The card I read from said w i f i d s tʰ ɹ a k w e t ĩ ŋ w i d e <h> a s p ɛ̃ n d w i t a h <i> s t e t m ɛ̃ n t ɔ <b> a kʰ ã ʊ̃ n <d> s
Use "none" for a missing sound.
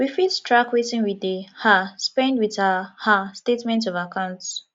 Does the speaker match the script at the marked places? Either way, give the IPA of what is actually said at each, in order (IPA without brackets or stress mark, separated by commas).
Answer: h, a, v, t